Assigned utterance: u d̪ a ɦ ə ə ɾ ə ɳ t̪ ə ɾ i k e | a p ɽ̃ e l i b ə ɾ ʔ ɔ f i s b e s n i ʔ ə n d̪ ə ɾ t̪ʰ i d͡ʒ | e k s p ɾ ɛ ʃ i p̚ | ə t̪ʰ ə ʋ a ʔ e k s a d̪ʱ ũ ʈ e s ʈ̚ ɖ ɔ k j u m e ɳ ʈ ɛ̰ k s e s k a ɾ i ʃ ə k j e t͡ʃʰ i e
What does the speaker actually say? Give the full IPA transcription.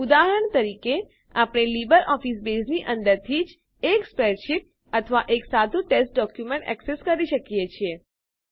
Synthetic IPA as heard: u d̪ a ɦ ə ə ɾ ə ɳ t̪ ə ɾ i k e | a p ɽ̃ e l i b ə ɾ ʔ ɔ f i s b e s n i ʔ ə n d̪ ə ɾ t̪ʰ i d͡ʒ | e k s p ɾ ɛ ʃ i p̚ | ə t̪ʰ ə ʋ a ʔ e k s a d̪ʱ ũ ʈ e s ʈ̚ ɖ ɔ k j u m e ɳ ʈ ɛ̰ k s e s k ə ɾ i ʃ ə k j e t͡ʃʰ i e